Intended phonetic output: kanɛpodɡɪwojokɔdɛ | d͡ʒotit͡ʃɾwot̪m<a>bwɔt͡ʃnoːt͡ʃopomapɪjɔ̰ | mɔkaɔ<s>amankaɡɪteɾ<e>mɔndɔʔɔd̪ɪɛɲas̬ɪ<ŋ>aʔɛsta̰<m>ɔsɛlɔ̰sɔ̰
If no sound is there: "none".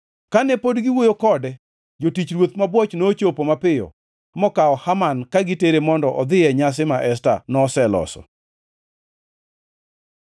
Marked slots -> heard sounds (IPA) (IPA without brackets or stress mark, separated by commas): a, h, e, m, n